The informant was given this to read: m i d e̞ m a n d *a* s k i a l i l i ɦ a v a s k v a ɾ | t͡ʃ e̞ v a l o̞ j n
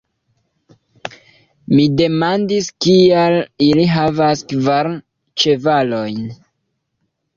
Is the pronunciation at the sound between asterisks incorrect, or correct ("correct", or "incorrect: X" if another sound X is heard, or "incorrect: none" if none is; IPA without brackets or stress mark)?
incorrect: i